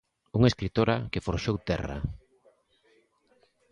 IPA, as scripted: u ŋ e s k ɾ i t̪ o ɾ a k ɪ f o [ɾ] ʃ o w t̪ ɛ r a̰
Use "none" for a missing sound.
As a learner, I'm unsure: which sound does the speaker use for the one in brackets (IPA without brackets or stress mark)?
ɾ